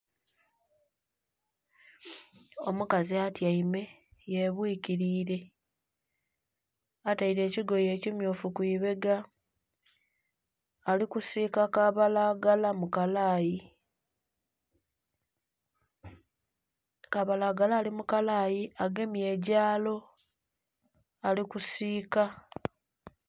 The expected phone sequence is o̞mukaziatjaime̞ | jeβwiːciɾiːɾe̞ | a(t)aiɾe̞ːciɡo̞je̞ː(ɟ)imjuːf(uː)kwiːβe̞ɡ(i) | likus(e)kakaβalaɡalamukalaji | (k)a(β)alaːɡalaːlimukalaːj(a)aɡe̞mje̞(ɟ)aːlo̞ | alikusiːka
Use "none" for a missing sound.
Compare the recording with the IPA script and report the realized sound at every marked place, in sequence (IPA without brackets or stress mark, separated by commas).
t, c, u, a, i, k, β, i, ɟ